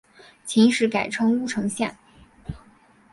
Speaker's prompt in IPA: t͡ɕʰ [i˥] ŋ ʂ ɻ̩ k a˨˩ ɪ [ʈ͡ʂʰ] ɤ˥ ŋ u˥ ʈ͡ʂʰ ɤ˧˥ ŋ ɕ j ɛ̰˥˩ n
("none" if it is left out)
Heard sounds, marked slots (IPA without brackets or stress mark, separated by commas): i˧˥, ʈ͡ʂʰ